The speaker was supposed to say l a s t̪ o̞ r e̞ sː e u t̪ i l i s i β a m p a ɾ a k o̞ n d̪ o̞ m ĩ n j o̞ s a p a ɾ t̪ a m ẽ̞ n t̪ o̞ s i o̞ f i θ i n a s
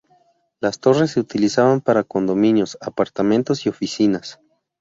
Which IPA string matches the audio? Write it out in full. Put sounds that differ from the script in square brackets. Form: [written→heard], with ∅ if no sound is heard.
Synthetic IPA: l a s t̪ o̞ r e̞ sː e u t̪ i l i s [i→a] β a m p a ɾ a k o̞ n d̪ o̞ m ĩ n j o̞ s a p a ɾ t̪ a m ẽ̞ n t̪ o̞ s i o̞ f i [θ→s] i n a s